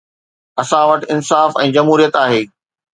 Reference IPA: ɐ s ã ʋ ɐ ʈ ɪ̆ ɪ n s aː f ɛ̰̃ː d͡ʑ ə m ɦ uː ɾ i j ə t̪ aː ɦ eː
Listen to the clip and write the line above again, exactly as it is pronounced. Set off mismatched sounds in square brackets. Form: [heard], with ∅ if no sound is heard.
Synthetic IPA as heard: ɐ s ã ʋ ɐ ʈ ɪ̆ ɪ n s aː f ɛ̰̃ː d͡ʑ [ɐ] m ɦ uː ɾ i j ə t̪ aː ɦ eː